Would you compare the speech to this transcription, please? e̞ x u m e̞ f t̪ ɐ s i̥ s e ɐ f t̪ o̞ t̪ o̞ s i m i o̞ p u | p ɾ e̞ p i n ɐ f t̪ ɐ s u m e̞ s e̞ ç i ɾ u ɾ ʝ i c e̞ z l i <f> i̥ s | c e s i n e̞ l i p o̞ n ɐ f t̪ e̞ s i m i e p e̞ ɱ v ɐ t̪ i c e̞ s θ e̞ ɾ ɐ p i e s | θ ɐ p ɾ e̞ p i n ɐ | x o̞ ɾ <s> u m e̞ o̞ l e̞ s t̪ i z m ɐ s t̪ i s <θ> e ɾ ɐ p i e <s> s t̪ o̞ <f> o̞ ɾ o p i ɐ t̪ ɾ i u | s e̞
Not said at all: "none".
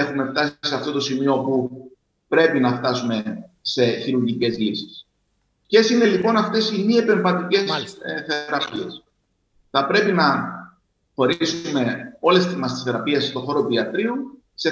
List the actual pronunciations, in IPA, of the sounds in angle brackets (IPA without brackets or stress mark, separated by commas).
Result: s, s, θ, s, x